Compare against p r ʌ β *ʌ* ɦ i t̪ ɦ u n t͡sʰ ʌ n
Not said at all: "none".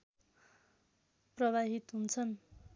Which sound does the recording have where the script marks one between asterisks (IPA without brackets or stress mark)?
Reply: a